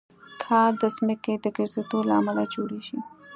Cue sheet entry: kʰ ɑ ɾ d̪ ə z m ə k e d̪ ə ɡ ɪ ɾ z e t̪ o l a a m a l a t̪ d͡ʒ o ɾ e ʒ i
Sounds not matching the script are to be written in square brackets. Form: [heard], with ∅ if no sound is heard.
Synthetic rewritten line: kʰ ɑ ɾ d̪ ə [s] m ə k e d̪ ə ɡ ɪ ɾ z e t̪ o l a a m a l a [∅] d͡ʒ o [ɽ] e [ʃ] i